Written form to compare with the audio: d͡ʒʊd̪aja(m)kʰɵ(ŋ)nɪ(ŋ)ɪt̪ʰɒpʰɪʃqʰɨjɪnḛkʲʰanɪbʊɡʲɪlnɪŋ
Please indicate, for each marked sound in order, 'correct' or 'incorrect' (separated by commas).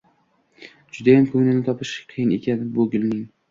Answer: correct, correct, incorrect